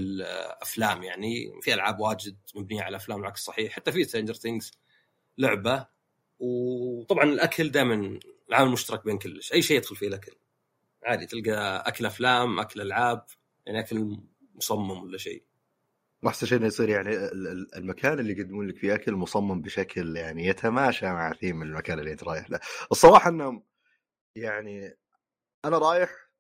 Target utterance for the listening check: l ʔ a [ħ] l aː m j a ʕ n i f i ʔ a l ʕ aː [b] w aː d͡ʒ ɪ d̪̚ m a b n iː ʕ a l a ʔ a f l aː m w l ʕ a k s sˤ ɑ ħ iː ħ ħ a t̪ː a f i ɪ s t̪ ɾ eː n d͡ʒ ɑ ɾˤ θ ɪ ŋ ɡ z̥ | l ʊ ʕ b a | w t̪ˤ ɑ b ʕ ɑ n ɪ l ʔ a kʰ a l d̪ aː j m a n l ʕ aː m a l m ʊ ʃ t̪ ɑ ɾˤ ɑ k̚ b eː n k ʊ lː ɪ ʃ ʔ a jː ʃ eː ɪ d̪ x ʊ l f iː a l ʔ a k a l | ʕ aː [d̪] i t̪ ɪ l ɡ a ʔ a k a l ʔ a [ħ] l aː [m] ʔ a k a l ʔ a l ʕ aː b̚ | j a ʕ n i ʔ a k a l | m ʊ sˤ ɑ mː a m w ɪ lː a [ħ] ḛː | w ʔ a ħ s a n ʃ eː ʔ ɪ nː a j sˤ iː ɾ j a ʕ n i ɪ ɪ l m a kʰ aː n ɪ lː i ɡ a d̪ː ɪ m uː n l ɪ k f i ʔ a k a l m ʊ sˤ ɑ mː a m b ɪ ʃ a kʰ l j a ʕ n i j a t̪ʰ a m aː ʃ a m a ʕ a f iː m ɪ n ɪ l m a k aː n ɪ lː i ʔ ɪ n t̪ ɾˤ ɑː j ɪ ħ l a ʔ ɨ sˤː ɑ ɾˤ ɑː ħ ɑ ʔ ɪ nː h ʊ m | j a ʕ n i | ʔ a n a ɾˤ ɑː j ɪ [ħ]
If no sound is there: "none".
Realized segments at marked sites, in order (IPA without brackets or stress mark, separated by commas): f, b, d̪, f, m, ʃ, ħ